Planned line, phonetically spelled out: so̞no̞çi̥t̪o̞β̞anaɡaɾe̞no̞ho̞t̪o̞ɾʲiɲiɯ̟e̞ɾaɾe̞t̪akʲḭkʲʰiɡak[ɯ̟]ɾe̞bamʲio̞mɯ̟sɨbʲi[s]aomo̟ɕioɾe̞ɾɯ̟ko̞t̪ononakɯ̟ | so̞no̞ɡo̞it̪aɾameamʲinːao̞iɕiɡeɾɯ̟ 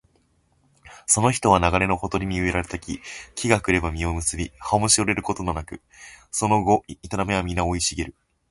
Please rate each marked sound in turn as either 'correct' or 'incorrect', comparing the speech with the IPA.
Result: correct, incorrect: h

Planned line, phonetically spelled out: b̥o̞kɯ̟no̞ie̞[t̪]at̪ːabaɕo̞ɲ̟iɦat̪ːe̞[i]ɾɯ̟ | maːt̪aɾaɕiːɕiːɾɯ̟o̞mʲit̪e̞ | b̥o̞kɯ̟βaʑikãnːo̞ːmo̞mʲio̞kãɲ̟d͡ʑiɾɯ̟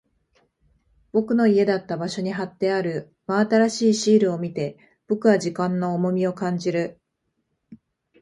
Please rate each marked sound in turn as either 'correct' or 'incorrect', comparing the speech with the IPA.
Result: incorrect: d̪, incorrect: a

